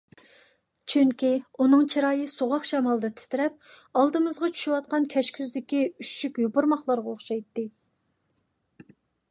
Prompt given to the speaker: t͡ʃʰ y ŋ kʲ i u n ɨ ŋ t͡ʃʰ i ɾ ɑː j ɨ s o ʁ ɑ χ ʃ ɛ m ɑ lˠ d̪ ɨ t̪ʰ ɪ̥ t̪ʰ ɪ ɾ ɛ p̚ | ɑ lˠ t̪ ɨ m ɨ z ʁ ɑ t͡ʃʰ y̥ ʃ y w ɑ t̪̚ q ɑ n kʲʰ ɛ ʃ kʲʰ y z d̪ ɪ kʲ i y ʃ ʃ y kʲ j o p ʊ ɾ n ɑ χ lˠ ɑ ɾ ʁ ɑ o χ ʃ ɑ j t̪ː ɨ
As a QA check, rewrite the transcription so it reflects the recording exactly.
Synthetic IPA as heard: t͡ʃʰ y ŋ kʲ i u n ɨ ŋ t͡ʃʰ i ɾ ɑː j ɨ s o ʁ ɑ χ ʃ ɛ m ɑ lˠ d̪ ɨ t̪ʰ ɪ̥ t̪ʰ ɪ ɾ ɛ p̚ | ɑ lˠ d̪ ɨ m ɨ z ʁ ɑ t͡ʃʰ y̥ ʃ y w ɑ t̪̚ q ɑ n kʲʰ ɛ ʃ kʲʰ y z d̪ ɪ kʲ i y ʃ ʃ y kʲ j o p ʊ ɾ m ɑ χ lˠ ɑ ɾ ʁ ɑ o χ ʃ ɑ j t̪ː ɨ

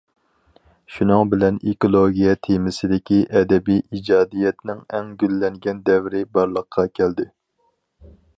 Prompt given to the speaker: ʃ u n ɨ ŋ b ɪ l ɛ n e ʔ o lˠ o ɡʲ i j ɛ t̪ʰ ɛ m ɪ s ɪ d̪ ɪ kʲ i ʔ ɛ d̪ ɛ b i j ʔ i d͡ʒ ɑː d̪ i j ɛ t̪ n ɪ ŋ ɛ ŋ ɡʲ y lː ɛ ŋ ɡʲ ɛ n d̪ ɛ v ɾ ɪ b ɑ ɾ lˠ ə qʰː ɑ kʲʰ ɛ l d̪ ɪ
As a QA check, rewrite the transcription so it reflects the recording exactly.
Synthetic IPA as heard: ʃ u n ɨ ŋ b ɪ l ɛ n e k o lˠ o ɡʲ i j ɛ t̪ʰ e m ɪ s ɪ d̪ ɪ kʲ i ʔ ɛ d̪ ɛ b i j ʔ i d͡ʒ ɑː d̪ i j ɛ t̪ n ɪ ŋ ɛ ŋ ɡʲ y lː ɛ ŋ ɡʲ ɛ n d̪ ɛ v ɾ ɪ b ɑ ɾ lˠ ə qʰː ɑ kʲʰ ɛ l d̪ ɪ

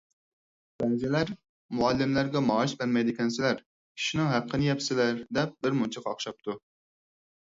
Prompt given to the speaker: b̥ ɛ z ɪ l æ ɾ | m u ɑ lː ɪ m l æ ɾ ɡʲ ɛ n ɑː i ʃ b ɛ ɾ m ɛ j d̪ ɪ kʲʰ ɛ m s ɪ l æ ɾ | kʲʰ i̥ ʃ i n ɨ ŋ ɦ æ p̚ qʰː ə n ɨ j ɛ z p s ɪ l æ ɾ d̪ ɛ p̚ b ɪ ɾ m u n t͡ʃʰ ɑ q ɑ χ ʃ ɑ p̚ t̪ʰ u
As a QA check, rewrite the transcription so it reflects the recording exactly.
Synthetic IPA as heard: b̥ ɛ z ɪ l æ ɾ | m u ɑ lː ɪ m l æ ɾ ɡʲ ɛ m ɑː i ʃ b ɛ ɾ m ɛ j d̪ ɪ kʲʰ ɛ n s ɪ l æ ɾ | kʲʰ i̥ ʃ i n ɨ ŋ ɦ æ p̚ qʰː ə n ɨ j ɛ p s ɪ l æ ɾ d̪ ɛ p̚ b ɪ ɾ m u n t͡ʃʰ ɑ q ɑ χ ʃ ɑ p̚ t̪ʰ u

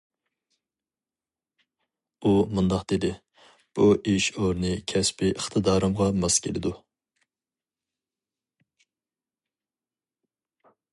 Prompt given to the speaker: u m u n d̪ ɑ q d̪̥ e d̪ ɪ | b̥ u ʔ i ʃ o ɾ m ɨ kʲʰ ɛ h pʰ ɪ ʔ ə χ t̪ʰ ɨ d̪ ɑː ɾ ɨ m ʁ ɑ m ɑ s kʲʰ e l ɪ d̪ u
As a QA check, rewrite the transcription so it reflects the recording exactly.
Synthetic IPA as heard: u m u n d̪ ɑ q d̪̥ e d̪ ɪ | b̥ u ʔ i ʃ o ɾ n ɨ kʲʰ ɛ s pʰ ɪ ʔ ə χ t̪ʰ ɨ d̪ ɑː ɾ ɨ m ʁ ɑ m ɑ s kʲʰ e l ɪ d̪ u

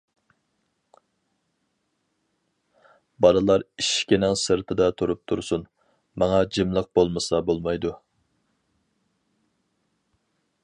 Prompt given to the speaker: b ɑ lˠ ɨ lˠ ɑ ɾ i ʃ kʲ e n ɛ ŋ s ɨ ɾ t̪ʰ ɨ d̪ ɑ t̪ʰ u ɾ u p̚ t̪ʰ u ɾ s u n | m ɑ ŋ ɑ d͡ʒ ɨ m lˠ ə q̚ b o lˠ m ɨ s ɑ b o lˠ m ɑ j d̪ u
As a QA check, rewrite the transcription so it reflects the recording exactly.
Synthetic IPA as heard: b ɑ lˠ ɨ lˠ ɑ ɾ i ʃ kʲ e n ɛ ŋ s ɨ ɾ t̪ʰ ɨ d̪ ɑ t̪ʰ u ɾ u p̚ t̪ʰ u ɾ s u n | m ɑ ŋ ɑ d͡ʒ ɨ m lˠ ə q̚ b o lˠ m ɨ s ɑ b o lˠ m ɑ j d̪ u

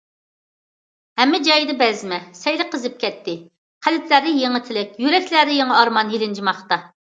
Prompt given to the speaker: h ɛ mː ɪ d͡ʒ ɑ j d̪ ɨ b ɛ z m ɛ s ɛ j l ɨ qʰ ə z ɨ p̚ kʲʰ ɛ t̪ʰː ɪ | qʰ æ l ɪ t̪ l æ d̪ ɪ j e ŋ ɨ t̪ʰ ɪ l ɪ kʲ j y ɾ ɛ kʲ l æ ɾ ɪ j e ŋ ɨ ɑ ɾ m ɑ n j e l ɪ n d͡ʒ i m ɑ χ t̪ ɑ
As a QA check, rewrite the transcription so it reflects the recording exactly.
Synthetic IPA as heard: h ɛ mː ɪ d͡ʒ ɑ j d̪ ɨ b ɛ z m ɛ s ɛ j l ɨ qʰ ə z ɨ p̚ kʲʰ ɛ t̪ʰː ɪ | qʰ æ l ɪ t̪ l æ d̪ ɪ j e ŋ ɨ t̪ʰ ɪ l ɪ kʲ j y ɾ ɛ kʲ l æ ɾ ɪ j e ŋ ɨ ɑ ɾ m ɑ n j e l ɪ n d͡ʒ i m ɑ χ t̪ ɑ

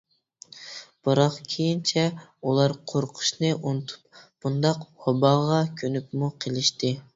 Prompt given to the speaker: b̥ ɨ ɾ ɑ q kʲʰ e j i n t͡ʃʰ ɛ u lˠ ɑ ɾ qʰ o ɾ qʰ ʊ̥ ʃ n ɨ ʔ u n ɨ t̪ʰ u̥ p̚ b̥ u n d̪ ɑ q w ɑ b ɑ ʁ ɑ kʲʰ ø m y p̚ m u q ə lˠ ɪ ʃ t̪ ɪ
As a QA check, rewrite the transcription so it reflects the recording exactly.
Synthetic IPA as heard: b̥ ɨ ɾ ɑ q kʲʰ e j i n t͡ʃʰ ɛ u lˠ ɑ ɾ qʰ o ɾ qʰ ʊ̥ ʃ n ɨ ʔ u n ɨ t̪ʰ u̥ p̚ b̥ u n d̪ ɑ q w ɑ b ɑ ʁ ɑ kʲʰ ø n y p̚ m u qʰ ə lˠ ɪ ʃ t̪ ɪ

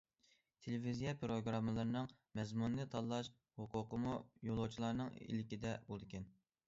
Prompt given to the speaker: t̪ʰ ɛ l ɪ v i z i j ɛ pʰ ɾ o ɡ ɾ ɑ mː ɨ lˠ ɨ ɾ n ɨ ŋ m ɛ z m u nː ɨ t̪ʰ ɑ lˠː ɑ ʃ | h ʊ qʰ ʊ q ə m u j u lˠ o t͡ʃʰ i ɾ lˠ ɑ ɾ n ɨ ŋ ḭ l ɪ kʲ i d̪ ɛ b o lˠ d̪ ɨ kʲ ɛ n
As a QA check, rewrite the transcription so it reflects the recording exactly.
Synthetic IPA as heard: t̪ʰ e l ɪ v i z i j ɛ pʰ ɾ o ɡ ɾ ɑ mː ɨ lˠ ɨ ɾ n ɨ ŋ m ɛ z m u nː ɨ t̪ʰ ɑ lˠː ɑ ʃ | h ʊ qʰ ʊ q ə m u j o lˠ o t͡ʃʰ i lˠ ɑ ɾ n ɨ ŋ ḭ l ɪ kʲ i d̪ ɛ b o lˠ d̪ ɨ kʲ ɛ n

